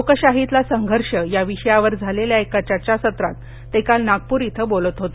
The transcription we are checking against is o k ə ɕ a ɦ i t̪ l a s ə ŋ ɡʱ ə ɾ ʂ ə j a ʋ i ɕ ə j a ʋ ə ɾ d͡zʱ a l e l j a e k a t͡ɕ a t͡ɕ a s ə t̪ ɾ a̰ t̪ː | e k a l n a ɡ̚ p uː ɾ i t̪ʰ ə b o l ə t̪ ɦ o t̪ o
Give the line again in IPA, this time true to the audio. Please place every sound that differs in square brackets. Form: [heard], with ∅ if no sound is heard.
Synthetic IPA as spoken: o k ə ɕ a ɦ i t̪ l a s ə ŋ ɡʱ ə ɾ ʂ ə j a ʋ i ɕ ə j a ʋ ə ɾ d͡zʱ a l e l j a e k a t͡ɕ a t͡ɕ a s ə t̪ ɾ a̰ t̪ː | e k a l n a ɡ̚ p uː ɾ i t̪ʰ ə b o l ə t̪ ɦ o t̪ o